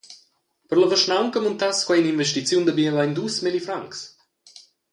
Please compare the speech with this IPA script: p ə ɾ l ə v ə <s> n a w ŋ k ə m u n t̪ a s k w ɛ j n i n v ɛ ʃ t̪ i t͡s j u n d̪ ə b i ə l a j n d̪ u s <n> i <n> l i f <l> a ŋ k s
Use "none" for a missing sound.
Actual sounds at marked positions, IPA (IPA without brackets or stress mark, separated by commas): ʃ, m, none, ɾ